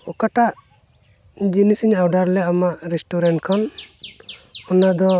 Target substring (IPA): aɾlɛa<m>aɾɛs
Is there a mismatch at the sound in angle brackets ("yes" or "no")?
no